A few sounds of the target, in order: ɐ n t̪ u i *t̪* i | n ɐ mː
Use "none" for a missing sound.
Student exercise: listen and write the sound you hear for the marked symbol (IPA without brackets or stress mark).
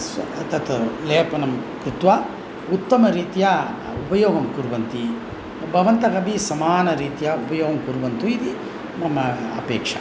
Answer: d̪